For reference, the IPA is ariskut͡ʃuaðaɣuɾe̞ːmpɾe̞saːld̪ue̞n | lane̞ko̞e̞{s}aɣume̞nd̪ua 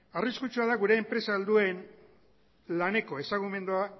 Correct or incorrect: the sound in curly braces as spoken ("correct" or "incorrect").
correct